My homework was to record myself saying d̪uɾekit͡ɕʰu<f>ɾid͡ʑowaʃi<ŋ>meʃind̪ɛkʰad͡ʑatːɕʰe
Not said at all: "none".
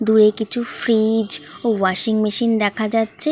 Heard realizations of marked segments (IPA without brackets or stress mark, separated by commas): f, ŋ